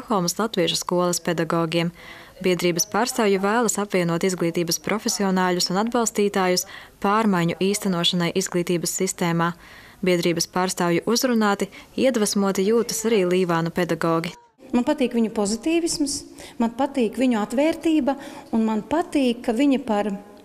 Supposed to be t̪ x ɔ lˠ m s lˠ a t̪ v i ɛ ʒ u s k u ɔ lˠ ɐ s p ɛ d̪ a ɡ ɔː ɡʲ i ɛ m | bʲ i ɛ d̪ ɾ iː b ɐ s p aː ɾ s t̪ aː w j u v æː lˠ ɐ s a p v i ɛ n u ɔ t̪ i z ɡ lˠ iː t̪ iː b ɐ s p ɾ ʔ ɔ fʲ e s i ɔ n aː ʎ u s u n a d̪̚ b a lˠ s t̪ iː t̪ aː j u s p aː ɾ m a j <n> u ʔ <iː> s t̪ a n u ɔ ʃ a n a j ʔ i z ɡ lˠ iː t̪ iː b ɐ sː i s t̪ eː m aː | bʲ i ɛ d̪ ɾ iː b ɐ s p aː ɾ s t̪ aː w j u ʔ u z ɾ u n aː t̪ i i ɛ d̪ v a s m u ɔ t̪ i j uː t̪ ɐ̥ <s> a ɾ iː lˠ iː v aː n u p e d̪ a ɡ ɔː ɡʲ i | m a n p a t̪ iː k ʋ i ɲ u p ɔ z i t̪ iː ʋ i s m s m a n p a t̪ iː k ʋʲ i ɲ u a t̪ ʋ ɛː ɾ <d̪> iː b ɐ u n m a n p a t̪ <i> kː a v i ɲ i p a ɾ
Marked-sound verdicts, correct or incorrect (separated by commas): incorrect, correct, correct, incorrect, incorrect